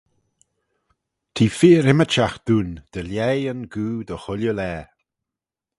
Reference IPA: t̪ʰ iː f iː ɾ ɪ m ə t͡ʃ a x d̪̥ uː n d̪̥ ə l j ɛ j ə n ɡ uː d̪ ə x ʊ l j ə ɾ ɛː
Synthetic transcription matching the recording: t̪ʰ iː f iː ɾ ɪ m ə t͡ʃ a x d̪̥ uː n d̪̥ ə l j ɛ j ə n ɡ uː d̪ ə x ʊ l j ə l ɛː